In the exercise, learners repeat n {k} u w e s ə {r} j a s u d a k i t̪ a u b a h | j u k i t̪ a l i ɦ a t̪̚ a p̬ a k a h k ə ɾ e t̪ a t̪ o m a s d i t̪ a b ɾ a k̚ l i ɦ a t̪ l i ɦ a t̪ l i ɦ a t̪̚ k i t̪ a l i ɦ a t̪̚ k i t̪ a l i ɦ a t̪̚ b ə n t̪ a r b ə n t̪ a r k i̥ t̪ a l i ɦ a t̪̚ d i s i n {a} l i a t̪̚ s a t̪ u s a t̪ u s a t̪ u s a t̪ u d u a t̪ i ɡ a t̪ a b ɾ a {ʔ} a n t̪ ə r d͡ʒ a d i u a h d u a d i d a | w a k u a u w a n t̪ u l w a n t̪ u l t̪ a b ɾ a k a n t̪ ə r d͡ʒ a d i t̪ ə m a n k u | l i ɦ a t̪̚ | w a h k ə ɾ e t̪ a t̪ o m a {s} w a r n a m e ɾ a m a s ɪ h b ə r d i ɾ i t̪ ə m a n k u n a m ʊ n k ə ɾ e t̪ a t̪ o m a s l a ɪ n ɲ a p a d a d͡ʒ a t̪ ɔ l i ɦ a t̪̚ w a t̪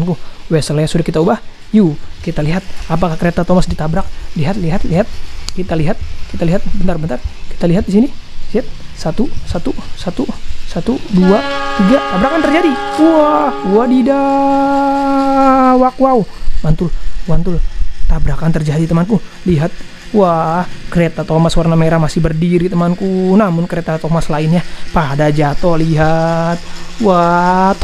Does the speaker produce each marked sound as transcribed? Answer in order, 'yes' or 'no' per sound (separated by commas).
yes, no, no, no, yes